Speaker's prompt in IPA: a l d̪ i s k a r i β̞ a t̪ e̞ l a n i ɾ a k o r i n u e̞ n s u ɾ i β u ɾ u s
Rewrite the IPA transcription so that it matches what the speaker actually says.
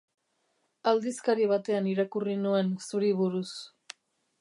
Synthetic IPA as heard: a l d̪ i s k a ɾ i β̞ a t̪ e̞ a n i ɾ a k u r i n u e̞ n s u ɾ i β u ɾ u s